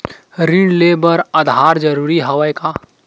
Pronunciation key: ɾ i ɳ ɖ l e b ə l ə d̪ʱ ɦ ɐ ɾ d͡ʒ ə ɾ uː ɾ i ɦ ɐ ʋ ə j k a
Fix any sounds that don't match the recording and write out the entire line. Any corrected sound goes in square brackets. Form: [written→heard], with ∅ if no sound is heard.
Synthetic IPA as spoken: ɾ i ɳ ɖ l e b ə [l→ɾ] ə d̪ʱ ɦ [ɐ→a] ɾ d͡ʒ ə ɾ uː ɾ i ɦ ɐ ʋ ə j k a

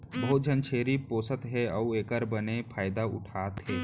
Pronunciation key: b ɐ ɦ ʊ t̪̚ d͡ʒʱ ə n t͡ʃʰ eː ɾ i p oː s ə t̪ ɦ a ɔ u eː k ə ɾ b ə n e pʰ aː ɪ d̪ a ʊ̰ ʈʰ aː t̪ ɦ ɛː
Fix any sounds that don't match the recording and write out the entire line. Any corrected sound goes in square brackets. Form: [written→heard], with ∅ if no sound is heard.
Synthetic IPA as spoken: b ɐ ɦ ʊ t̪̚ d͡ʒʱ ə n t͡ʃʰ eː ɾ i p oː s ə t̪ ɦ [a→ɛ] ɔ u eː k ə ɾ b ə n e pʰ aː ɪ d̪ a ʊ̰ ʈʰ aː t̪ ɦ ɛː

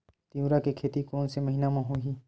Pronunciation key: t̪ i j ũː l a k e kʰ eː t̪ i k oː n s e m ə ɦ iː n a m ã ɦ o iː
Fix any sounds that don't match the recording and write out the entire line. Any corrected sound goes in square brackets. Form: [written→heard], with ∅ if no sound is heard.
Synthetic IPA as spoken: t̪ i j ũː [l→ɾ] a k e kʰ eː t̪ i k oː n s e m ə ɦ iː n a m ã ɦ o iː

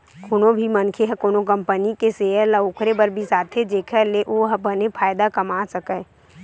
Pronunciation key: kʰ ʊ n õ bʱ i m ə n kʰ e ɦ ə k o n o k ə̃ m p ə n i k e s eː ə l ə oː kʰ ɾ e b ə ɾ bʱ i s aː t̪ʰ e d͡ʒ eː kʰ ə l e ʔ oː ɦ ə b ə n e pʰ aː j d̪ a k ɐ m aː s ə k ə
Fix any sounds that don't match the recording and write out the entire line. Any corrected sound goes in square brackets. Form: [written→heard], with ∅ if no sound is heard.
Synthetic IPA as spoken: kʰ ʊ n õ bʱ i m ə n kʰ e ɦ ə k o n o k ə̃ m p ə n i k e s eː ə l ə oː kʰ ɾ e b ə ɾ bʱ i s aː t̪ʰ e d͡ʒ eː kʰ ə l e ʔ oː ɦ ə b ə n e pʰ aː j d̪ a k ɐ m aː s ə k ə

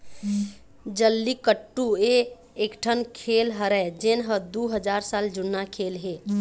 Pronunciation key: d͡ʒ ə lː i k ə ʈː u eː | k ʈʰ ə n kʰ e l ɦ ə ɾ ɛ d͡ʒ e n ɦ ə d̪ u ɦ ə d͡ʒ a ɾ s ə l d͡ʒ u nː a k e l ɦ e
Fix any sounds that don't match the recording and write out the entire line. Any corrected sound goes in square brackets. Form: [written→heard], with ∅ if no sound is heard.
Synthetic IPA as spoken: d͡ʒ ə lː i k ə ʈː u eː | k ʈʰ ə n kʰ e l ɦ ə ɾ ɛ d͡ʒ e n ɦ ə d̪ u ɦ ə d͡ʒ a ɾ s [ə→a] l d͡ʒ u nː a [k→kʰ] e l ɦ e

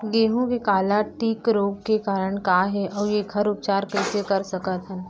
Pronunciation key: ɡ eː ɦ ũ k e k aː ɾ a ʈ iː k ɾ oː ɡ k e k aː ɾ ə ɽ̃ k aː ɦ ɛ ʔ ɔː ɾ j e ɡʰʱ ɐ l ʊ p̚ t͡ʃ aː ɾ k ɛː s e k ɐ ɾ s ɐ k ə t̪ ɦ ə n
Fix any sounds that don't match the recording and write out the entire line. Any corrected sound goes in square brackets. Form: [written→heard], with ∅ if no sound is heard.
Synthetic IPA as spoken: ɡ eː ɦ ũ k e k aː [ɾ→l] a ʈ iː k ɾ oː ɡ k e k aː ɾ ə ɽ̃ k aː ɦ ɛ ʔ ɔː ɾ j e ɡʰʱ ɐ [l→ɾ] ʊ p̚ t͡ʃ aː ɾ k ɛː s e k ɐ ɾ s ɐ k ə t̪ ɦ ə n

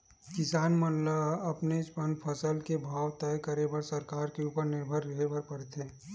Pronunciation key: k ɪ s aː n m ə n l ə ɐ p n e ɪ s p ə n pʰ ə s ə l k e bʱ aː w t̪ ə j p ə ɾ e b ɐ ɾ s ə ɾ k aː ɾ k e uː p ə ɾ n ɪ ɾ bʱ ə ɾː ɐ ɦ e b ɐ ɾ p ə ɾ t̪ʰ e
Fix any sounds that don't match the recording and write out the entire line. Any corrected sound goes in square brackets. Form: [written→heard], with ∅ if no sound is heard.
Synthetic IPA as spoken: k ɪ s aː n m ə n l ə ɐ p n e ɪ s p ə n pʰ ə s ə l k e bʱ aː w t̪ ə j [p→k] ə ɾ e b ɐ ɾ s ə ɾ k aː ɾ k e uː p ə ɾ n ɪ ɾ bʱ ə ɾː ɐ ɦ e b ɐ ɾ p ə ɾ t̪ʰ e

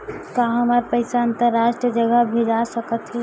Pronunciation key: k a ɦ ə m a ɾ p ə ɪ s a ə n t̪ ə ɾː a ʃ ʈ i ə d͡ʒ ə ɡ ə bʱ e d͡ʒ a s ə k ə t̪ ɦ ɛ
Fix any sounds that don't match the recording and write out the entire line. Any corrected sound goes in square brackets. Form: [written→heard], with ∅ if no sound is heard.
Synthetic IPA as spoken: k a ɦ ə m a ɾ p ə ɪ s a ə n t̪ ə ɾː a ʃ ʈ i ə d͡ʒ ə ɡ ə bʱ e d͡ʒ a s ə k ə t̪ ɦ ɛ

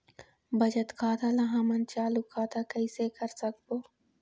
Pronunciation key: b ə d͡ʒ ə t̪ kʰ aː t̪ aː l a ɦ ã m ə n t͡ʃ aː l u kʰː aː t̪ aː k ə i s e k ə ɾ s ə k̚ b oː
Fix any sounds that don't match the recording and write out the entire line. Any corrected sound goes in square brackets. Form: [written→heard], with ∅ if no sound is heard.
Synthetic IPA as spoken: b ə d͡ʒ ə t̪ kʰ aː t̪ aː l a ɦ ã m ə n t͡ʃ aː l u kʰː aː t̪ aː k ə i s e k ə ɾ s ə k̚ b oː

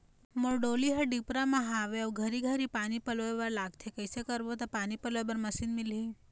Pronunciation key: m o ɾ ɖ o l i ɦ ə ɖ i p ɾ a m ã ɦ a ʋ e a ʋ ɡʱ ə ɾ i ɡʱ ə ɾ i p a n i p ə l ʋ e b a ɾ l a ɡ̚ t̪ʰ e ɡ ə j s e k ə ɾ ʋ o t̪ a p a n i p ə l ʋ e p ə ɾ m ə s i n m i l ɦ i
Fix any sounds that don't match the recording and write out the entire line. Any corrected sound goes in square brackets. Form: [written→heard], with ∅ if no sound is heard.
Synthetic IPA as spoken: m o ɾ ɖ o l i ɦ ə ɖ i p ɾ a m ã ɦ a ʋ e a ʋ ɡʱ ə ɾ i ɡʱ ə ɾ i p a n i p ə l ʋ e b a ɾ l a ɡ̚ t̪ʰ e [ɡ→k] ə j s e k ə ɾ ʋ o t̪ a p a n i p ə l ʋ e [p→b] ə ɾ m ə s i n m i l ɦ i

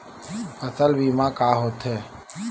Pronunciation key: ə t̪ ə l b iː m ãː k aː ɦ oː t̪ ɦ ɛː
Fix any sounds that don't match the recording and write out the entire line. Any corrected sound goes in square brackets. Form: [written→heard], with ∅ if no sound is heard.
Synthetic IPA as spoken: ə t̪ ə l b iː m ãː k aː ɦ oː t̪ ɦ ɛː

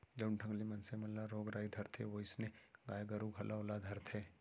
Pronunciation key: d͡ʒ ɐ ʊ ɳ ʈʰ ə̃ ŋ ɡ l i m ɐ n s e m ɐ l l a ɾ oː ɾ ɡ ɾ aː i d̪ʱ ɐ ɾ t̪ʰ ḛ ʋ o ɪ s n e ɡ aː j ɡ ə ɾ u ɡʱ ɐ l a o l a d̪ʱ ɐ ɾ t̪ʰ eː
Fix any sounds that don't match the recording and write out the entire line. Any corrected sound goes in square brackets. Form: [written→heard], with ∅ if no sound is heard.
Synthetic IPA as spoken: d͡ʒ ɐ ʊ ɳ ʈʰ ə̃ ŋ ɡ l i m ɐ n s e m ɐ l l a ɾ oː [ɾ→∅] ɡ ɾ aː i d̪ʱ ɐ ɾ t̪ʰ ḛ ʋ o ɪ s n e ɡ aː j ɡ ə ɾ u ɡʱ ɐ l a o l a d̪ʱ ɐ ɾ t̪ʰ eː

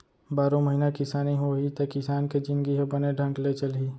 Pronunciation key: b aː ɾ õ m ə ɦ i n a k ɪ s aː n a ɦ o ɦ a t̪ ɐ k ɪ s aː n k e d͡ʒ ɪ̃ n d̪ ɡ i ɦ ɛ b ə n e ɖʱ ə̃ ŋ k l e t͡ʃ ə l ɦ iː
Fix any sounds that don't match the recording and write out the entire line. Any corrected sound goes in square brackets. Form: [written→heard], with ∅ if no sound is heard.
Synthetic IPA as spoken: b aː ɾ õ m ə ɦ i n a k ɪ s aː n [a→i] ɦ o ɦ [a→i] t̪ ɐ k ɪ s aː n k e d͡ʒ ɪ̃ n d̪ ɡ i ɦ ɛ b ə n e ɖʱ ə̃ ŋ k l e t͡ʃ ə l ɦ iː

